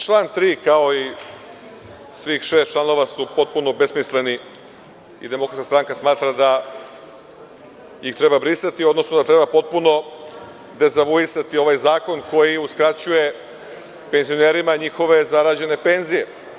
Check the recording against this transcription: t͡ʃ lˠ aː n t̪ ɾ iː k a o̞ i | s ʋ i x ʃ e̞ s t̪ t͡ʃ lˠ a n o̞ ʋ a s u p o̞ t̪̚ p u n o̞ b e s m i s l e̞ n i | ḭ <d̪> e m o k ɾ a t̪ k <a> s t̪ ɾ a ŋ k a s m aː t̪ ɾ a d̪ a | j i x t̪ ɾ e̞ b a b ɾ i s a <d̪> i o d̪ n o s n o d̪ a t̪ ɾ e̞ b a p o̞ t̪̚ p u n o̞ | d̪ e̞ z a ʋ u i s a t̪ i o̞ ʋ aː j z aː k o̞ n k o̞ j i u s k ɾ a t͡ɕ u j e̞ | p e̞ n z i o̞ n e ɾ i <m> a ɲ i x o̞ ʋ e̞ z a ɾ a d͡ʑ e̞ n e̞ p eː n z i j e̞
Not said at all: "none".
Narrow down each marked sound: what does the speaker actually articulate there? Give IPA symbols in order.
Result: d̪, a, t̪, m

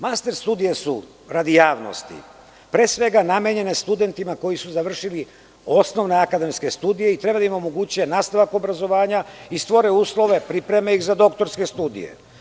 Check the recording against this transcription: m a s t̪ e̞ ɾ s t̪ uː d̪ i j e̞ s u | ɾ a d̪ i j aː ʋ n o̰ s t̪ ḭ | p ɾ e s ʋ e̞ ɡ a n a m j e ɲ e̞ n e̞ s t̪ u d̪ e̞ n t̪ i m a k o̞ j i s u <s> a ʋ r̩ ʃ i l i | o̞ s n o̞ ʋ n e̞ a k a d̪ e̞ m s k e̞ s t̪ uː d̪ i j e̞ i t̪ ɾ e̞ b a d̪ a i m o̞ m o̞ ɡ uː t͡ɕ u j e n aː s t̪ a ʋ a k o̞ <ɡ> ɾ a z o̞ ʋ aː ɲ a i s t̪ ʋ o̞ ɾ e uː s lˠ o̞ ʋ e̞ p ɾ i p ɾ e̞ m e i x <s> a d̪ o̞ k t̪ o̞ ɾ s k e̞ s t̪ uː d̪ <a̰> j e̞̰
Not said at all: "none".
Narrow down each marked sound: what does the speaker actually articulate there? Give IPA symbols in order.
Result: z, b, z, ḭ

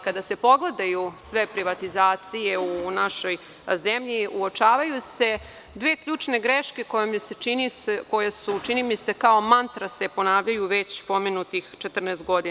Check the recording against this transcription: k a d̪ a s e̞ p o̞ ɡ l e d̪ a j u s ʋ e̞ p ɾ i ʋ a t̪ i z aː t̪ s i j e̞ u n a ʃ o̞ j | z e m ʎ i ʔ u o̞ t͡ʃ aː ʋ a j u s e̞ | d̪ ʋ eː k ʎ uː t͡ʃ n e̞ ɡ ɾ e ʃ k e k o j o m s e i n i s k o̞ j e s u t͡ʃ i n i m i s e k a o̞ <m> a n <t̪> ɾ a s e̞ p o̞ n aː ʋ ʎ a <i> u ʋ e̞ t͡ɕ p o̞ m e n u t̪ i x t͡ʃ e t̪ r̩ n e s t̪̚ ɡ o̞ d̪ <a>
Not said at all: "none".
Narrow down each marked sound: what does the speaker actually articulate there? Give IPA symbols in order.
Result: m, t̪, j, i

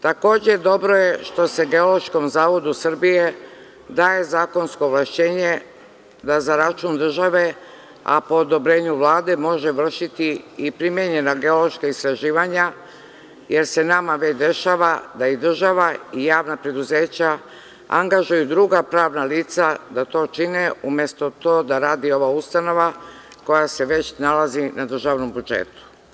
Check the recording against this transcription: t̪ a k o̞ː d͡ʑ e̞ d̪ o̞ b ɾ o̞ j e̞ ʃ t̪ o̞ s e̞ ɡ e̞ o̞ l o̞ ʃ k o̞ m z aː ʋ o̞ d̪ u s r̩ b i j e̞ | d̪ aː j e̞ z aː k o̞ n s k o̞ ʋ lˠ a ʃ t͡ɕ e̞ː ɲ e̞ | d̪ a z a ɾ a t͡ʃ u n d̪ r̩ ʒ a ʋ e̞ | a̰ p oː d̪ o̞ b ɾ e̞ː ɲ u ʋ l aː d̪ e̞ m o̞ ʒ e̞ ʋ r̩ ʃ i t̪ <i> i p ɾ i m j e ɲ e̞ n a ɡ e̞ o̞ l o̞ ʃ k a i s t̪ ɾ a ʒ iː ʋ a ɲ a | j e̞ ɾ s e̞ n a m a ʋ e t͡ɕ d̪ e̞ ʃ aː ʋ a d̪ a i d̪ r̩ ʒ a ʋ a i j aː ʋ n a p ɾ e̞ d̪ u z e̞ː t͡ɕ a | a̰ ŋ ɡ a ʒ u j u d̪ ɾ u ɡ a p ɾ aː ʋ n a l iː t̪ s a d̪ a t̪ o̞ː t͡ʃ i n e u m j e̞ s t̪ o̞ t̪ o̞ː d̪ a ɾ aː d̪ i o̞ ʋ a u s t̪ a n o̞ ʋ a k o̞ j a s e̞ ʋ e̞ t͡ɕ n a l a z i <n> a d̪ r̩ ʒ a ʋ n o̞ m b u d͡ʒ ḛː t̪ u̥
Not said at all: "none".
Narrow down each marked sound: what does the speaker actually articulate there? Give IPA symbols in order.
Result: i, n

